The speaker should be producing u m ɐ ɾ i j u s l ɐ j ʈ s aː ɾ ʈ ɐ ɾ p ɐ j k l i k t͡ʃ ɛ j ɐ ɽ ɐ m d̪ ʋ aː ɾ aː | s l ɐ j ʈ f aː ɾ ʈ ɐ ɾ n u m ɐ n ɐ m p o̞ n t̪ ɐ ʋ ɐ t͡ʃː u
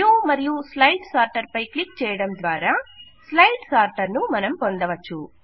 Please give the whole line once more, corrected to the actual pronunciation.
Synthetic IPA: u m ɐ ɾ i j u s l ɐ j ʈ s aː ɾ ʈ ɐ ɾ p ɐ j k l i k t͡ʃ ɛː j ɐ ɽ ɐ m d̪ ʋ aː ɾ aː | s l ɐ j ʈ s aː ɾ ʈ ɐ ɾ n u m ɐ n ɐ m p o̞ n d̪ ɐ ʋ ɐ t͡ʃː u